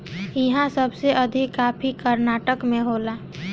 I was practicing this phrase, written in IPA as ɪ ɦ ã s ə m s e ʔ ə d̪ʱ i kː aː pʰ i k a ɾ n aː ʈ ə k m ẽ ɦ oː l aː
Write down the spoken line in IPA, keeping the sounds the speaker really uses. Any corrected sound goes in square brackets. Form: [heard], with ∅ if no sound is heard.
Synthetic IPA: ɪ ɦ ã s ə [b] s e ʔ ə d̪ʱ i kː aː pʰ i k [ə] ɾ n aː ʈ ə k m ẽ ɦ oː l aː